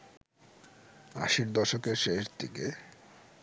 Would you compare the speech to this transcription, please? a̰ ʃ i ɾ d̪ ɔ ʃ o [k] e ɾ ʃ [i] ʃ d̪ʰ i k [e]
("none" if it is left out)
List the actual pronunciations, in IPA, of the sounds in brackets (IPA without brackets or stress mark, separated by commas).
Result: k, e, e